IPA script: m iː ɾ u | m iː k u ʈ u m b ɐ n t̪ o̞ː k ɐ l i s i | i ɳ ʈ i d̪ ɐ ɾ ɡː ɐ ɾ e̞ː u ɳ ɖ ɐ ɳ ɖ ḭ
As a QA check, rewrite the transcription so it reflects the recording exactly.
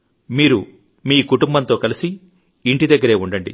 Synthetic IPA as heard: m iː ɾ u | m iː k u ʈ u m b ɐ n t̪ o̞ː k ɐ l i s i | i ɳ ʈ i d̪ ɐ ɡː ɐ ɾ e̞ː u ɳ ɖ ɐ ɳ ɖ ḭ